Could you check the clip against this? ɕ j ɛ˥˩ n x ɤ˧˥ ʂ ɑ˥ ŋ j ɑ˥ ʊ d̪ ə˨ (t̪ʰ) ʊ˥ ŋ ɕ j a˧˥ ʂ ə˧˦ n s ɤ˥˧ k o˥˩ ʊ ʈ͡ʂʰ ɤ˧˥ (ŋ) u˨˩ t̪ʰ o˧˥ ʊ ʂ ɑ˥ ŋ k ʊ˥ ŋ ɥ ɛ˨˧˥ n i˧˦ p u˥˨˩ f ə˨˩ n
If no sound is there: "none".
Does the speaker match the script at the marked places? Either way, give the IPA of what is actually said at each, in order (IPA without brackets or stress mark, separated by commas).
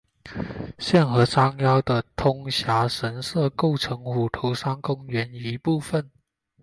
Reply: t̪ʰ, ŋ